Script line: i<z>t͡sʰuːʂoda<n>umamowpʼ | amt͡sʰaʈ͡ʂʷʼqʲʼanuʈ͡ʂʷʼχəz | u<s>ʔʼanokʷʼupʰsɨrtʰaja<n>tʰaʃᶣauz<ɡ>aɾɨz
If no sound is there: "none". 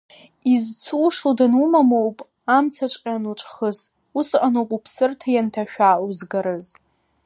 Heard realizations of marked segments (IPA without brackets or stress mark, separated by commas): z, n, s, n, ɡ